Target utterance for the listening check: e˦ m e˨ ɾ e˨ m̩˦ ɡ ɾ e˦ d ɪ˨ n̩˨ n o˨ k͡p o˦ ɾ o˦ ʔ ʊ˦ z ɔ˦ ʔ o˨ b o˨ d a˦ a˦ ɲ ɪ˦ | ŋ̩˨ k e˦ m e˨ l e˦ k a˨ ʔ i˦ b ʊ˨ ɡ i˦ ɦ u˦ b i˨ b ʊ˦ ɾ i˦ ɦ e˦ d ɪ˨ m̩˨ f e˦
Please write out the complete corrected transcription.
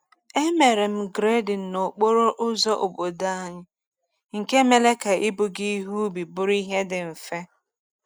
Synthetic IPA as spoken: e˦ m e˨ ɾ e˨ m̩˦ ɡ ɾ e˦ d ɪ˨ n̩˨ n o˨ k͡p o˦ ɾ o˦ ʔ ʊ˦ z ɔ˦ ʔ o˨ b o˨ d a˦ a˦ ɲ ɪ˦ | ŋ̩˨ k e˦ m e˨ l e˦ k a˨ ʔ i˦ b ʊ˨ ɡ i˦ ɦ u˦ b i˨ b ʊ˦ ɾ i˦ ɦ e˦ d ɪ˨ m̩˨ f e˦

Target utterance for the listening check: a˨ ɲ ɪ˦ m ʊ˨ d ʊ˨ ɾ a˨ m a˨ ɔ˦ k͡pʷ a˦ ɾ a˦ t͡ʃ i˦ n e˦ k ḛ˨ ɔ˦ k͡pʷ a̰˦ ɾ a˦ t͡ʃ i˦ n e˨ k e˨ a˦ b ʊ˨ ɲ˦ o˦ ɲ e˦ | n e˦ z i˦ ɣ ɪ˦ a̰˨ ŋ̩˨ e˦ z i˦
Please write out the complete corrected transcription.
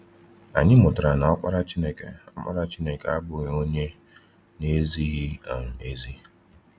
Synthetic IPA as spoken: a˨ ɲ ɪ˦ m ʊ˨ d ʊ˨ ɾ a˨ n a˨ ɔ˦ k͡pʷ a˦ ɾ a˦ t͡ʃ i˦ n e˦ k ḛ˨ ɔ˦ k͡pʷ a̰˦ ɾ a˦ t͡ʃ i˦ n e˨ k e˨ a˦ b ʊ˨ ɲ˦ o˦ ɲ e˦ | n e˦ z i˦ ɣ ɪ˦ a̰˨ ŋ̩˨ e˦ z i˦

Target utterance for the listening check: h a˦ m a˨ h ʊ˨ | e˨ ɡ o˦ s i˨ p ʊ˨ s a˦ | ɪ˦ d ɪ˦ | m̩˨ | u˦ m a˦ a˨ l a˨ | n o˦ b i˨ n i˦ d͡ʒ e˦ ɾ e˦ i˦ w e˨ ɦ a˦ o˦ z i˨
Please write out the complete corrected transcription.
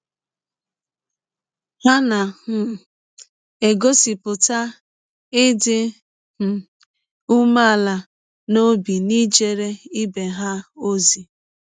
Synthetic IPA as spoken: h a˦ n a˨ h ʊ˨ | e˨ ɡ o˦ s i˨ p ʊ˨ t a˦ | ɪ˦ d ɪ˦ | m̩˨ | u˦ m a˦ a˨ l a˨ | n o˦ b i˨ n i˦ d͡ʒ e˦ ɾ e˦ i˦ b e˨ ɦ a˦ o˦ z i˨

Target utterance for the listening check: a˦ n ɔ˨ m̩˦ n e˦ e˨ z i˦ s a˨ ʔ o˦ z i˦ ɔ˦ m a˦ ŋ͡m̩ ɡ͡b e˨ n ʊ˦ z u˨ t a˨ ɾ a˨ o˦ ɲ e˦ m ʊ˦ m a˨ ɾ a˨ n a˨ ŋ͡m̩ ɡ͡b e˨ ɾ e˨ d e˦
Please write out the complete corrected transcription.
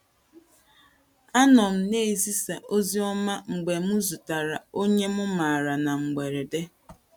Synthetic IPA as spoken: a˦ n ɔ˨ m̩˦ n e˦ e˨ z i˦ s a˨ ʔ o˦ z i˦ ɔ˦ m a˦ ŋ͡m̩ ɡ͡b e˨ m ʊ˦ z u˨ t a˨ ɾ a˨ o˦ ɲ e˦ m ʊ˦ m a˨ ɾ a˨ n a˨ ŋ͡m̩ ɡ͡b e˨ ɾ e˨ d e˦

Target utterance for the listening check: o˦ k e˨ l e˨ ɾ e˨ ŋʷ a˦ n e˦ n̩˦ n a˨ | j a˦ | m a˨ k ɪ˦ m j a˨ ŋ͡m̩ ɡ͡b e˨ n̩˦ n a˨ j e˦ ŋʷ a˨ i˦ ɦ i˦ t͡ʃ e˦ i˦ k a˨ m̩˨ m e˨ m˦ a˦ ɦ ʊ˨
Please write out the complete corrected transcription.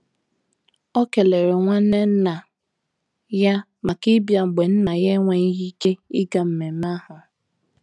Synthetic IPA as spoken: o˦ k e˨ l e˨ ɾ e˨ ŋʷ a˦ n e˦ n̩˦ n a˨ | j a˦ | m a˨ k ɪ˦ b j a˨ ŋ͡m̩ ɡ͡b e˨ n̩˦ n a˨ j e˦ ŋʷ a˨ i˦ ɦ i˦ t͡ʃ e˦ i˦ ɡ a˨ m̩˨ m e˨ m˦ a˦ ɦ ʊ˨

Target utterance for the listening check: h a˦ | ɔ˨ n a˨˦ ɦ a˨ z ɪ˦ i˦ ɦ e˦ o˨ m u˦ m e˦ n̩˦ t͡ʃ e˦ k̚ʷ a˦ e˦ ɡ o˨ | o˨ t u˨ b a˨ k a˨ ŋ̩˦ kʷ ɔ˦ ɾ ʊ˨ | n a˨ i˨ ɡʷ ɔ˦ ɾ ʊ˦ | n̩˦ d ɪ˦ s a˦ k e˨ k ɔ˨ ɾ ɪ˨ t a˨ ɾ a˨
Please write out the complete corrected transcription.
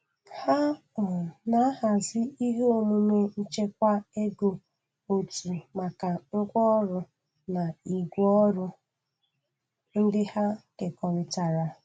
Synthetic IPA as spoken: h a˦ | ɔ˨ n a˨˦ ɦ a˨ z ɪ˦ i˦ ɦ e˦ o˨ m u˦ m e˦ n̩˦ t͡ʃ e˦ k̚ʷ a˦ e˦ ɡ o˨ | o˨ t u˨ m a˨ k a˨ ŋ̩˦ kʷ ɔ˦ ɾ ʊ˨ | n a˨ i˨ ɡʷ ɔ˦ ɾ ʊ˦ | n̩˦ d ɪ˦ h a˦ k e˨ k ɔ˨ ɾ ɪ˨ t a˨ ɾ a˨

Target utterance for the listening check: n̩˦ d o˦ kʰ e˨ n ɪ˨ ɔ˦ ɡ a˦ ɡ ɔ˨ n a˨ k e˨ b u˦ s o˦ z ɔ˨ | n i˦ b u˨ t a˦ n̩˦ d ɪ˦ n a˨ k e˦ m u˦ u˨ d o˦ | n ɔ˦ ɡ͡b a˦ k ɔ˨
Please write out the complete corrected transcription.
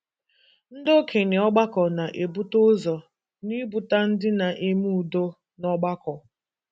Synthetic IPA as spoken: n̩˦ d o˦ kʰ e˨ n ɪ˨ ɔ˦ ɡ͡b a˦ k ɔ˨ n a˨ ʔ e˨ b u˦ t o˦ z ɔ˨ | n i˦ b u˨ t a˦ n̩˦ d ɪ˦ n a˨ ʔ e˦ m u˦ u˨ d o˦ | n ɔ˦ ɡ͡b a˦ k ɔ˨

